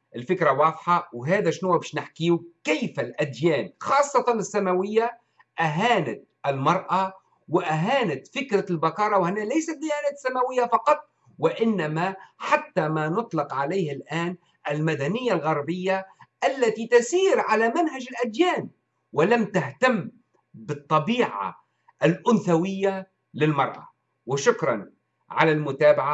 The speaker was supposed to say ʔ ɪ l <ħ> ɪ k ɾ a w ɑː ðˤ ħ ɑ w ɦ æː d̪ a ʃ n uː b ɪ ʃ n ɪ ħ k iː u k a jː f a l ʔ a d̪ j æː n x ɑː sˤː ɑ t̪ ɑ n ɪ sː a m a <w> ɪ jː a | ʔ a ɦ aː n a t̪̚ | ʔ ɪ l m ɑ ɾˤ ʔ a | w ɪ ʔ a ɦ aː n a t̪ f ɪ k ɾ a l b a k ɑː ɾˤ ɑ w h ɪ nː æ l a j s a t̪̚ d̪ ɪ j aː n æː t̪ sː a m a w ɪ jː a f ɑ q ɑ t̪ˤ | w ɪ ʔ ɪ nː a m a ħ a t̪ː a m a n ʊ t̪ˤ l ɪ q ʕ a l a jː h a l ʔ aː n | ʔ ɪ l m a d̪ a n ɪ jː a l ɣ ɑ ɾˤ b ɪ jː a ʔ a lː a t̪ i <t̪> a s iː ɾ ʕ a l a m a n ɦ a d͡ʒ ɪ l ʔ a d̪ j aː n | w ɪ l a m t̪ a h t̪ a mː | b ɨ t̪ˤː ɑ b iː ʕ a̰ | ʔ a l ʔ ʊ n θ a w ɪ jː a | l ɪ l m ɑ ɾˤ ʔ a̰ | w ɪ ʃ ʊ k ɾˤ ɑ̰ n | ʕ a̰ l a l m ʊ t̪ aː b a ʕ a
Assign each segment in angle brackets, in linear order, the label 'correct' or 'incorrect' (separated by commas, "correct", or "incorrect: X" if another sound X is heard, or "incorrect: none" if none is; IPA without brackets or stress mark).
incorrect: f, correct, correct